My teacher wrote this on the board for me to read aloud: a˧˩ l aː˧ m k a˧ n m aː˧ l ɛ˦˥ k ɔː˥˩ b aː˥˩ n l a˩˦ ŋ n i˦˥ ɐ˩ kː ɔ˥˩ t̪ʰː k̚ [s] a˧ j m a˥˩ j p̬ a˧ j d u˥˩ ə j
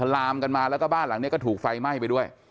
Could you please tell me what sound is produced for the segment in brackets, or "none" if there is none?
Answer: f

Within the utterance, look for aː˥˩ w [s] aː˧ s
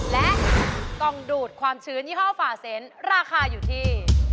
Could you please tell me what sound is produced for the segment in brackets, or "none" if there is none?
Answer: f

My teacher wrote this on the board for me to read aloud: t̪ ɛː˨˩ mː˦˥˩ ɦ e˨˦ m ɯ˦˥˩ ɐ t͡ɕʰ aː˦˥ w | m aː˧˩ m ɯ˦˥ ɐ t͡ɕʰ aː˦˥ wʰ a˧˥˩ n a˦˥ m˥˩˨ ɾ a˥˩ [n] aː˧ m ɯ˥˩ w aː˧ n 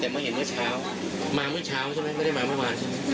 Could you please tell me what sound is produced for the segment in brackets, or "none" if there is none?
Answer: m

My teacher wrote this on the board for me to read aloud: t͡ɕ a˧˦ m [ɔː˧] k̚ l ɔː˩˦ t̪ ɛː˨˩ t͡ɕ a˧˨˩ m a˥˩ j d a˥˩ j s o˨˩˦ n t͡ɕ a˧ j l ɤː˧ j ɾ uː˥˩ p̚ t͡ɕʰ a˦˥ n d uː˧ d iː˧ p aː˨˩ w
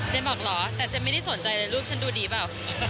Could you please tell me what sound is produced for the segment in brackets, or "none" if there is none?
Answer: ɔː˨˩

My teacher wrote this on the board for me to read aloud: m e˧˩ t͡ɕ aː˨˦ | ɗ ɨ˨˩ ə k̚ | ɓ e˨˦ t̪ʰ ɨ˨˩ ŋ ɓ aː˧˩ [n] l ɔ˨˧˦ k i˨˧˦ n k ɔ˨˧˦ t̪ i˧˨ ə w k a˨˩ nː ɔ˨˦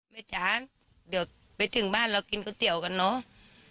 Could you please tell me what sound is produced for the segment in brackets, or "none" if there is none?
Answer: n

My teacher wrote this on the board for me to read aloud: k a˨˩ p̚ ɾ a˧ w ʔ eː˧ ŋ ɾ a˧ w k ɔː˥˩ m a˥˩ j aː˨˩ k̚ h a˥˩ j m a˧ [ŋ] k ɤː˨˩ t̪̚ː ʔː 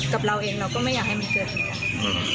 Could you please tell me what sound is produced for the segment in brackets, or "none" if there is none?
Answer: n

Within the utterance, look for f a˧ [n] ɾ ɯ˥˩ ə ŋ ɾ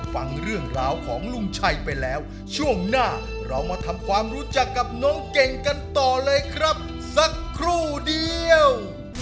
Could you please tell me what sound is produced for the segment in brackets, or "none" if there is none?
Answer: ŋ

